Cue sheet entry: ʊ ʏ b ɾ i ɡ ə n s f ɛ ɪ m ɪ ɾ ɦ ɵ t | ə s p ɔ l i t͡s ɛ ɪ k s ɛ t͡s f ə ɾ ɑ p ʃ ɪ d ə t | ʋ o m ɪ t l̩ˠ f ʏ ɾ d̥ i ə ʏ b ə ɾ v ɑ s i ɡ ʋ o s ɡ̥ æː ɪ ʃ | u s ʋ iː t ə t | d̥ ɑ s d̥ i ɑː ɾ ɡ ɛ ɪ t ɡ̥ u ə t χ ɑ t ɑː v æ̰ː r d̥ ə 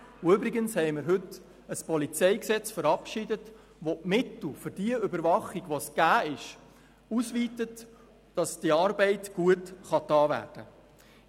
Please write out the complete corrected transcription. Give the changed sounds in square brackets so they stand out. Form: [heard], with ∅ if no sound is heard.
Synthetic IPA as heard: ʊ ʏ b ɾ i ɡ ə n s [h] ɛ ɪ m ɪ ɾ ɦ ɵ t | ə s p ɔ l i t͡s ɛ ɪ k s ɛ t͡s f ə ɾ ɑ p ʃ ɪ d ə t | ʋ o m ɪ t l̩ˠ f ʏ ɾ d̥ i ə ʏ b ə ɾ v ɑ [χ] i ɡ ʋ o s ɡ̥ æː ɪ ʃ | u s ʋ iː t ə t | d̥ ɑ s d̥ i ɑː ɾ [b] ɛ ɪ t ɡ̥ u ə t χ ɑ t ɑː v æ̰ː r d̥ ə

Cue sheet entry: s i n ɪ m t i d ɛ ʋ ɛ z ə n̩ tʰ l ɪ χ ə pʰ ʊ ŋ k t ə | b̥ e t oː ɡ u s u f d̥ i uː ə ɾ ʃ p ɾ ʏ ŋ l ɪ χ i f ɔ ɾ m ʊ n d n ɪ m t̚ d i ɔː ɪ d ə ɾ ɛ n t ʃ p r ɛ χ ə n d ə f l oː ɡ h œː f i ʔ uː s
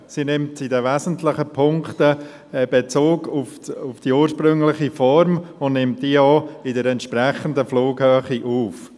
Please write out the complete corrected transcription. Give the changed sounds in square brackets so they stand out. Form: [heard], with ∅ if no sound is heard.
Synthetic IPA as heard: s i n ɪ m t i d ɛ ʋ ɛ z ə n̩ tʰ l ɪ χ ə pʰ ʊ ŋ k t ə | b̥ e [t͡s] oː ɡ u [f] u f d̥ i uː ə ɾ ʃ p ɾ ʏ ŋ l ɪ χ i f ɔ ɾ m ʊ n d n ɪ m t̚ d i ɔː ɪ d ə ɾ ɛ n t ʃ p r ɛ χ ə n d ə f l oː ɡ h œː [χ] i ʔ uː [f]

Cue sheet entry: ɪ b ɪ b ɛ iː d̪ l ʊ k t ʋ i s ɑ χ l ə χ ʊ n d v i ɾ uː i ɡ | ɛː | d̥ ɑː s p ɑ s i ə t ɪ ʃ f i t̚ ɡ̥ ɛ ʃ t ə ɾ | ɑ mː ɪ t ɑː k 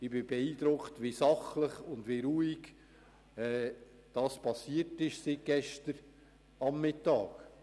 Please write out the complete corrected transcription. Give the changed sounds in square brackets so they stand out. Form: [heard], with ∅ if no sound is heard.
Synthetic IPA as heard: ɪ b ɪ b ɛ iː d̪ [ɾ] ʊ k t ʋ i s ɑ χ l ə χ ʊ n d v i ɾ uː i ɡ | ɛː | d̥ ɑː s p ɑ s i ə t ɪ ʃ [s] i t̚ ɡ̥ ɛ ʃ t ə ɾ | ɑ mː ɪ t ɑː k

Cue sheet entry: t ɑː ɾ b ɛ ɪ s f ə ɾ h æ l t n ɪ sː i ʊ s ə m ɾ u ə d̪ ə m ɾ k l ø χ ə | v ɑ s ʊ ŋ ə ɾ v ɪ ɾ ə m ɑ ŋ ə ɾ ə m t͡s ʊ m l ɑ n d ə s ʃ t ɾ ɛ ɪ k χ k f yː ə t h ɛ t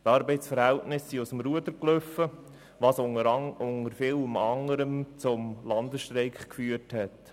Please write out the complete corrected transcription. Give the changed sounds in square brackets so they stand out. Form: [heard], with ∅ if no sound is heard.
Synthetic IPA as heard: t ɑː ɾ b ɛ ɪ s f ə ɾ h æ l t n ɪ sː i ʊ s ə m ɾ u ə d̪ ə [∅] ɾ k l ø [f] ə | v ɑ s ʊ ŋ ə ɾ [f] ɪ [l] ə m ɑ ŋ ə ɾ ə m t͡s ʊ m l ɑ n d ə s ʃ t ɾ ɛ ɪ k χ k f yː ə t h ɛ t

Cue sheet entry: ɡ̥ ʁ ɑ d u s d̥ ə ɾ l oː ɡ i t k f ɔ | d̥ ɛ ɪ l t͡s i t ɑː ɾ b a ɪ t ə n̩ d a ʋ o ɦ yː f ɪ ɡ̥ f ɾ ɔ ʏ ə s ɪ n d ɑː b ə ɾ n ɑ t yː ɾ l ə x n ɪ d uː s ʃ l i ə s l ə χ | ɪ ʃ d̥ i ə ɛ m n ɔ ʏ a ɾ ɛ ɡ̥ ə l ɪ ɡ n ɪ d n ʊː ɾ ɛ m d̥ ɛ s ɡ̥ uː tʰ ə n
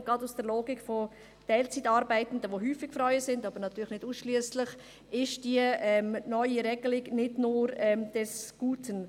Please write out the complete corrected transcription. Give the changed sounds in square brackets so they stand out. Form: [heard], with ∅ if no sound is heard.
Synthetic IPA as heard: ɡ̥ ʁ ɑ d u s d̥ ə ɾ l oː ɡ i [∅] k f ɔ | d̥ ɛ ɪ l t͡s i t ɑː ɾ b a ɪ t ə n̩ d [ə] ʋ o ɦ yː f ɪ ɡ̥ f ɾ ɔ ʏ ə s ɪ n d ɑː b ə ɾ n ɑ t yː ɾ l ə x n ɪ d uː s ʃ l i ə s l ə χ | ɪ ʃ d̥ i ə ɛ m n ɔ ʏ [i] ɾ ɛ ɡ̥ ə l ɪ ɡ n ɪ d n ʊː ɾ ɛ m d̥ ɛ s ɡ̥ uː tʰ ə n

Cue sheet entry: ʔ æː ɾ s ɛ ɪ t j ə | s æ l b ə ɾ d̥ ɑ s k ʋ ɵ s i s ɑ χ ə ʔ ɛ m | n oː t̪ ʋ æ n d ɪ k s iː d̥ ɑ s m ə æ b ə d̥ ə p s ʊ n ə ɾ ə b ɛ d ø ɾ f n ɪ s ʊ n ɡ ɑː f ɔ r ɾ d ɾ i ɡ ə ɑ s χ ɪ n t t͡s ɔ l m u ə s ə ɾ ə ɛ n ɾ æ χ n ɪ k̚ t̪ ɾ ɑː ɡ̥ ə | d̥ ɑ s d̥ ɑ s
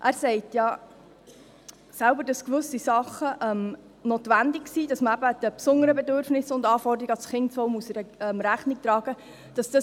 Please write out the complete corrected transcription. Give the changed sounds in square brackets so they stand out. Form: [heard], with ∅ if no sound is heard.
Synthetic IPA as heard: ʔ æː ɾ s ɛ ɪ t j [ɑ] | s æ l b ə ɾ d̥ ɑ s k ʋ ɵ s i s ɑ χ ə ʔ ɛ m | n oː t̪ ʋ æ n d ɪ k s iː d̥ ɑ s m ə æ b ə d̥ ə p s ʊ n ə ɾ ə b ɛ d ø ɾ f n ɪ s ʊ n [d] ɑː f ɔ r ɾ d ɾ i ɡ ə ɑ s χ ɪ n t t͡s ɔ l m u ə s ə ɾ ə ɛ [m] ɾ æ χ n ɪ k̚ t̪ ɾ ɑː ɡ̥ ə | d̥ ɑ s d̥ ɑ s

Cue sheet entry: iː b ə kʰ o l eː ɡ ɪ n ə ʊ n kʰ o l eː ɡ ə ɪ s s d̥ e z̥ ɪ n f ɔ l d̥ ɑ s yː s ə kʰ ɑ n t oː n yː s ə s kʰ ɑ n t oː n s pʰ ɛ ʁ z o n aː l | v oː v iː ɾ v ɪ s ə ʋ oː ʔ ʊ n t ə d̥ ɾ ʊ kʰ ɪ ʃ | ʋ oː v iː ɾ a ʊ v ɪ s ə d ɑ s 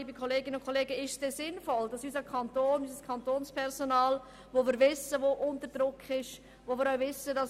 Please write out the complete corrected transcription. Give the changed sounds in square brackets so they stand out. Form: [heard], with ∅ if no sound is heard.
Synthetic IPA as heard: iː b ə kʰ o l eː ɡ ɪ n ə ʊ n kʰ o l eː ɡ ə ɪ [ʃ] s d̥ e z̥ ɪ n f ɔ l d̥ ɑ s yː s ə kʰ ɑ n t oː n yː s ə s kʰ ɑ n t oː n s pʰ ɛ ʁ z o n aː l | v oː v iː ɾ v ɪ s ə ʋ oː ʔ ʊ n t ə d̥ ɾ ʊ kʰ ɪ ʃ | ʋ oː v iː ɾ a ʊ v ɪ s ə d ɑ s

